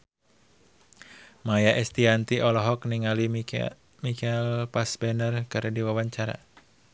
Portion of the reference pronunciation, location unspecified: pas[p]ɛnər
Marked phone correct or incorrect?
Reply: incorrect